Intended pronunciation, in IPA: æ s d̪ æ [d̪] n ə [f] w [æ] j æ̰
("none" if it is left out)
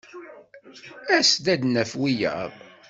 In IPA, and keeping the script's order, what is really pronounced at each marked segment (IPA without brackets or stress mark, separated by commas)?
d̪, f, i